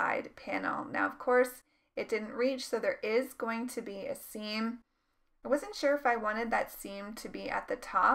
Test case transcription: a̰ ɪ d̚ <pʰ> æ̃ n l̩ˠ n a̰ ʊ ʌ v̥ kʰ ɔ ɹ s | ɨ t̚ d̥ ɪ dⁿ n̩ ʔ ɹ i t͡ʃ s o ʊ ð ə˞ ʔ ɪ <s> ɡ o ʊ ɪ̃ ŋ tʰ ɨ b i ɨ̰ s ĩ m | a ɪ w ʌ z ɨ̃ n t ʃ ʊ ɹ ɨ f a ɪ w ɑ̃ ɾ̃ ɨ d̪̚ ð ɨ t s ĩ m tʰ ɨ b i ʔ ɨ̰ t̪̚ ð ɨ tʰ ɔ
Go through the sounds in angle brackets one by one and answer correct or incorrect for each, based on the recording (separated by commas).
correct, incorrect